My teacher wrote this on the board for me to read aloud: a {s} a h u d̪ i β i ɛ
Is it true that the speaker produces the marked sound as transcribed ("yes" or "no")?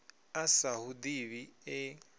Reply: yes